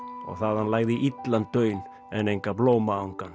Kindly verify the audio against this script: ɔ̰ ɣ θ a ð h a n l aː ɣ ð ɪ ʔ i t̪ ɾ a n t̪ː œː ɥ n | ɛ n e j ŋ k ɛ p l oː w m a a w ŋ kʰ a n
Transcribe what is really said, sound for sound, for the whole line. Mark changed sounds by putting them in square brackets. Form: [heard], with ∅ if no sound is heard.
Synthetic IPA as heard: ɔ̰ ɣ θ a ð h a n l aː ɣ ð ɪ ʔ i t̪ [l] a n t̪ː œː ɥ n | ɛ n e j ŋ k [a] p l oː w m a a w ŋ [k] a n